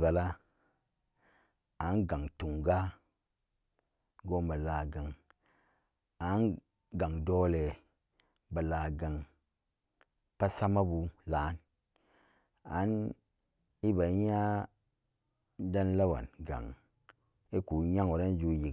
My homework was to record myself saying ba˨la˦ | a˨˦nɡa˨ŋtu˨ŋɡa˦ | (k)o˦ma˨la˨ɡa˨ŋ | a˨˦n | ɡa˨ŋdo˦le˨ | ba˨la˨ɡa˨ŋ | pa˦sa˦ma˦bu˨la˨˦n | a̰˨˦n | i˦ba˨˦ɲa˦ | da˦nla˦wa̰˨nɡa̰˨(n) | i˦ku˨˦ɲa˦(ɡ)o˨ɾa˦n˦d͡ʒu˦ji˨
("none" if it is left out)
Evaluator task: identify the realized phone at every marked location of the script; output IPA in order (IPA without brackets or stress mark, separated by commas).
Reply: ɡ, ŋ, ŋ